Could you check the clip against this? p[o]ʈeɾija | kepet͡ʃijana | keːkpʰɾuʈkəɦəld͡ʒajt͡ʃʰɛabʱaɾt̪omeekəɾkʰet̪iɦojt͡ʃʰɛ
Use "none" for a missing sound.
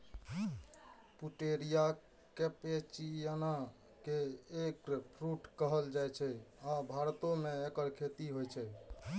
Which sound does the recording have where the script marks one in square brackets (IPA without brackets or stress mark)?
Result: u